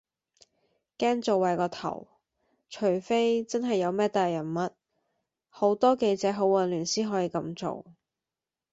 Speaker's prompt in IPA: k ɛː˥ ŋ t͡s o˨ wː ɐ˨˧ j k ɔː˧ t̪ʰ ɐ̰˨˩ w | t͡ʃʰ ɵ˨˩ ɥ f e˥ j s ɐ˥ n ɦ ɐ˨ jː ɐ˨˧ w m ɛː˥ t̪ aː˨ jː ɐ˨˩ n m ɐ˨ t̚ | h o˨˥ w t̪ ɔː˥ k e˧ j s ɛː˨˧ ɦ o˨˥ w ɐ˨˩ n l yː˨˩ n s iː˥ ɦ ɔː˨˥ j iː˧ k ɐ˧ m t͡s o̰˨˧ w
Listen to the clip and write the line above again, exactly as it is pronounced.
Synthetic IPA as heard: k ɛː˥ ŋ t͡s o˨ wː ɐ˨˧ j k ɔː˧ t̪ʰ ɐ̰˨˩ w | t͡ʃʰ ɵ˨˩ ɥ f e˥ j t͡s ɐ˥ n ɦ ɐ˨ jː ɐ˨˧ w m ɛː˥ t̪ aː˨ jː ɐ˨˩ n m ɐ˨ t̚ | h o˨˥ w t̪ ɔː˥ k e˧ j t͡s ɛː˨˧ ɦ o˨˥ w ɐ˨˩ n l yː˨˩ n s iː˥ ɦ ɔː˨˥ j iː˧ k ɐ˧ m t͡s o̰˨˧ w